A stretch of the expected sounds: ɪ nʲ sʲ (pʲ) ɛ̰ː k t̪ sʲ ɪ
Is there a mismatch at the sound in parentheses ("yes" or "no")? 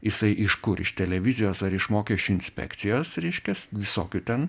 no